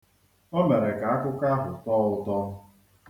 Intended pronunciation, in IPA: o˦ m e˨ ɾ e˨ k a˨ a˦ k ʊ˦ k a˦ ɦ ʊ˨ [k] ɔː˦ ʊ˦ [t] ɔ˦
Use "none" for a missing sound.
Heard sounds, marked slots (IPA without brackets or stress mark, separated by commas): t, t